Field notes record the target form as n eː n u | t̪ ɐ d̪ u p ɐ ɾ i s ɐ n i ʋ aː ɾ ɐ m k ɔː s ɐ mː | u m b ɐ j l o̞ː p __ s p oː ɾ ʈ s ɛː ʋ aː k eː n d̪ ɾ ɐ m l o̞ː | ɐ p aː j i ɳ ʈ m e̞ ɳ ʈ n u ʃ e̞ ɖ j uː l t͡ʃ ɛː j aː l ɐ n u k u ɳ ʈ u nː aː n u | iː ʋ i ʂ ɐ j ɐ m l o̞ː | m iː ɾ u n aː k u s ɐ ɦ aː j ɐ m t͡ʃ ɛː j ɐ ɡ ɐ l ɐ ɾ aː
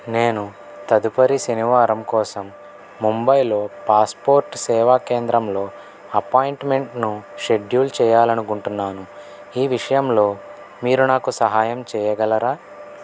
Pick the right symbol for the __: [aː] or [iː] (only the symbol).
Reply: aː